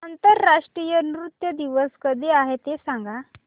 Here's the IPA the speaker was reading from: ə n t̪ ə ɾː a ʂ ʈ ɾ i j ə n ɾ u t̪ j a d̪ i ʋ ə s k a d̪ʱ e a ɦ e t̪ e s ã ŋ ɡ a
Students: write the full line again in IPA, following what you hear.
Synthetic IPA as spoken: ə n t̪ ə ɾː a ʂ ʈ ɾ i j ə n ɾ u t̪ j ə d̪ i ʋ ə s k ə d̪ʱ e a ɦ e t̪ e s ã ŋ ɡ a